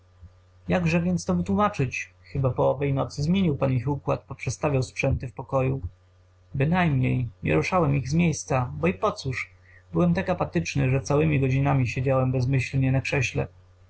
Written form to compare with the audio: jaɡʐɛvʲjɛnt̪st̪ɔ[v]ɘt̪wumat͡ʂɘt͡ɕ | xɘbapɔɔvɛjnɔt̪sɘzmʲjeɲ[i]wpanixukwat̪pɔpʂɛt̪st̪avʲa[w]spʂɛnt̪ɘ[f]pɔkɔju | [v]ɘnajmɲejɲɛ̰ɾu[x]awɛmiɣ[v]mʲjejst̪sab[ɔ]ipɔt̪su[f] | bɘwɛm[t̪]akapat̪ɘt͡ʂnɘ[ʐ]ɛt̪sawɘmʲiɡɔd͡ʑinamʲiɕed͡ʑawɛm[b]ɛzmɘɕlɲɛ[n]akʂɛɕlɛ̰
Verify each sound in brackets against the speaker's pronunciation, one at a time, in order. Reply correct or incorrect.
correct, correct, correct, correct, incorrect, incorrect, incorrect, correct, incorrect, correct, correct, correct, correct

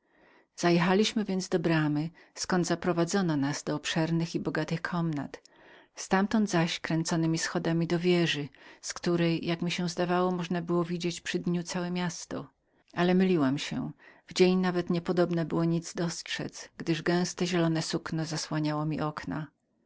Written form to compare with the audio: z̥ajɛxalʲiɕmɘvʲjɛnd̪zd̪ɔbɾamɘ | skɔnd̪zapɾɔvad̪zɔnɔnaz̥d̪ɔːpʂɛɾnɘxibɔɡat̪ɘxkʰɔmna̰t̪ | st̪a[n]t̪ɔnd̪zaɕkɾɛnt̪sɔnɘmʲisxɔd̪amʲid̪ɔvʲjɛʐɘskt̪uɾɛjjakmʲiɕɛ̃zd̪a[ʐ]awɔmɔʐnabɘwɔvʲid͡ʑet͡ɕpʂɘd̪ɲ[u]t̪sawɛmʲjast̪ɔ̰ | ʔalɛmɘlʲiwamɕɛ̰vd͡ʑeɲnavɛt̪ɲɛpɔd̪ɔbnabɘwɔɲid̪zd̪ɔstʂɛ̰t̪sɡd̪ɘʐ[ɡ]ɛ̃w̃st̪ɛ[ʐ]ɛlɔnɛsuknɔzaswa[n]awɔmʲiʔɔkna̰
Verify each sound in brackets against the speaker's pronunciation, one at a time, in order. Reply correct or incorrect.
incorrect, incorrect, correct, correct, incorrect, incorrect

